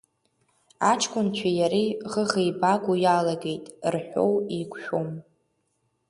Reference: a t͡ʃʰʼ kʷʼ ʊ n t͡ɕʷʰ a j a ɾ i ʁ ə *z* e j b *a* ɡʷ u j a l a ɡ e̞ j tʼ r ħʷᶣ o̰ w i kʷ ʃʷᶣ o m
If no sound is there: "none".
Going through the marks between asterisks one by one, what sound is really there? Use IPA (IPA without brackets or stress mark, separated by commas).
ʁ, a